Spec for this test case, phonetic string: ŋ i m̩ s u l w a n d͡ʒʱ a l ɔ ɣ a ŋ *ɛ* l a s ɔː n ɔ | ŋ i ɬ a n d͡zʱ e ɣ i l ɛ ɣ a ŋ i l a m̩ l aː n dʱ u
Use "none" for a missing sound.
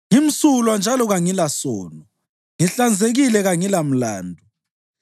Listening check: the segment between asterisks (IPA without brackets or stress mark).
i